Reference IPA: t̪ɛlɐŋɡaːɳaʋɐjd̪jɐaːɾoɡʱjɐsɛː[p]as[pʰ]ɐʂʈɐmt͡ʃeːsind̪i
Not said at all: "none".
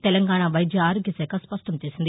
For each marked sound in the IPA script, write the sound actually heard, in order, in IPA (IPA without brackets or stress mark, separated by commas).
k, p